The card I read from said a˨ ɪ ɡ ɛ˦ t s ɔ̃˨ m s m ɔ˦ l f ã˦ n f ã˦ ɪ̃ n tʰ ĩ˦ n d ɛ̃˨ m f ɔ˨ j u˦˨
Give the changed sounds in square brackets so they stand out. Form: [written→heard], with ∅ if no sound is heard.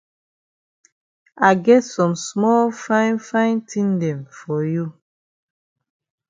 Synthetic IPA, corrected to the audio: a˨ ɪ ɡ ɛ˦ t s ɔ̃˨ m s m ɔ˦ l f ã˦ n f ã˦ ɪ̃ n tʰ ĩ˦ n d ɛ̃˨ m f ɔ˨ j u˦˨